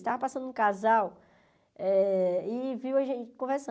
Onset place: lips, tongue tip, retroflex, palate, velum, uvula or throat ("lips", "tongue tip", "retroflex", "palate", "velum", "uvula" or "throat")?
tongue tip